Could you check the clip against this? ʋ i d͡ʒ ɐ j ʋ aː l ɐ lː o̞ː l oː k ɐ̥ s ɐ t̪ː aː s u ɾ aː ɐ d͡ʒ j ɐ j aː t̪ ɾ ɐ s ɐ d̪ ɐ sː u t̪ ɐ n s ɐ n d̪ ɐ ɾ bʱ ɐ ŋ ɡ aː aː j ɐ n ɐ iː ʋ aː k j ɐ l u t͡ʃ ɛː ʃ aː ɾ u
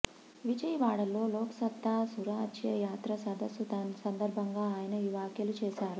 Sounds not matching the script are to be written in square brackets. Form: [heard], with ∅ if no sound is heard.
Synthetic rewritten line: ʋ i d͡ʒ ɐ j ʋ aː [ɽ] ɐ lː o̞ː l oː k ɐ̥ s ɐ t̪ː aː s u ɾ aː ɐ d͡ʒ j ɐ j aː t̪ ɾ ɐ s ɐ d̪ ɐ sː u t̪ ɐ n s ɐ n d̪ ɐ ɾ bʱ ɐ ŋ ɡ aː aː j ɐ n ɐ iː ʋ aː k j ɐ l u t͡ʃ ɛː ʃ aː ɾ u